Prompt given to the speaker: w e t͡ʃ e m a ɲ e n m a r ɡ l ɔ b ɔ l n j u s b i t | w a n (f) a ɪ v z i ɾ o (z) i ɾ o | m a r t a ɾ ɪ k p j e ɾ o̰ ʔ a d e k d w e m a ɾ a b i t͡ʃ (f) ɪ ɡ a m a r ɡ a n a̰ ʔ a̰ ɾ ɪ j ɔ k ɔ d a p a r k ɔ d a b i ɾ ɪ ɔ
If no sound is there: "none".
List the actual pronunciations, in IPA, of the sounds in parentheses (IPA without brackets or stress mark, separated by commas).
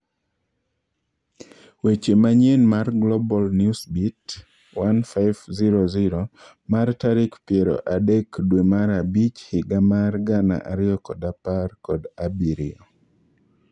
f, z, h